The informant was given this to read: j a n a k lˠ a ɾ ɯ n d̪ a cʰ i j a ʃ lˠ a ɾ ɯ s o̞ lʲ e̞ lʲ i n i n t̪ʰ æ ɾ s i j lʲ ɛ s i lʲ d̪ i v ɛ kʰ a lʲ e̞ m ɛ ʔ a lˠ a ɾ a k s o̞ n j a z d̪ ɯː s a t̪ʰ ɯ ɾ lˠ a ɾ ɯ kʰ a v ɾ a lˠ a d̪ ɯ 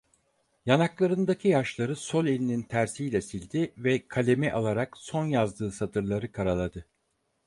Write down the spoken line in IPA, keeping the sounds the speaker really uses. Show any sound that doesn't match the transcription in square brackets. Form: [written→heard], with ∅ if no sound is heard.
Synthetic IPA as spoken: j a n a k lˠ a ɾ ɯ n d̪ a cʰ i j a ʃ lˠ a ɾ ɯ s o̞ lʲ e̞ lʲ i n i n t̪ʰ æ ɾ s i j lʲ ɛ s i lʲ d̪ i v ɛ kʰ a lʲ e̞ m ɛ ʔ a lˠ a ɾ a k s o̞ n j a z d̪ ɯː s a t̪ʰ ɯ ɾ lˠ a ɾ ɯ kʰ a [v→∅] ɾ a lˠ a d̪ ɯ